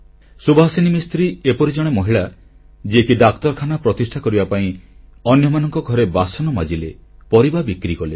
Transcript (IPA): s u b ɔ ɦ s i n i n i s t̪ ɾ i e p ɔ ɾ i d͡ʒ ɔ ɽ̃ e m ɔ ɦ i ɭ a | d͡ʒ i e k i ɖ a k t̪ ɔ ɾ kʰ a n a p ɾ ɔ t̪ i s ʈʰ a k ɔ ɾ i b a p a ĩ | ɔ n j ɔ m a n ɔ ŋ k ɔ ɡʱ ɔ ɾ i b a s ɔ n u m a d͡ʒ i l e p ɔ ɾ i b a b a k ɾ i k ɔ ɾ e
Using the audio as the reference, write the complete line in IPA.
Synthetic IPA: s u b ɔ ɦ s i n i m i s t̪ ɾ i e p ɔ ɾ i d͡ʒ ɔ ɽ̃ e m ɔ ɦ i ɭ a | d͡ʒ i e k i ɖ a k t̪ ɔ ɾ kʰ a n a p ɾ ɔ t̪ i s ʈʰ a k ɔ ɾ i b a p a ĩ | ɔ n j ɔ m a n ɔ ŋ k ɔ ɡʱ ɔ ɾ e b a s ɔ n ɔ m a d͡ʒ i l e p ɔ ɾ i b a b i k ɾ i k ɔ l e